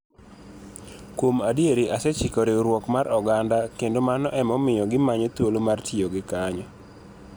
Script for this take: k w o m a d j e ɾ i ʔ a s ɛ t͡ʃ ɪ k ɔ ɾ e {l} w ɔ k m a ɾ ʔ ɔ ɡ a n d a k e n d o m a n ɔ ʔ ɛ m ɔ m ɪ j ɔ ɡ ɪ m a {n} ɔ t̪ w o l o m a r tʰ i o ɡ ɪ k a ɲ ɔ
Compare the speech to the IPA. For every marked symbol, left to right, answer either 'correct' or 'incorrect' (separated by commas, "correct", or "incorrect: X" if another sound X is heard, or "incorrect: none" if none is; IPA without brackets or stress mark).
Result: incorrect: ɾ, incorrect: ɲ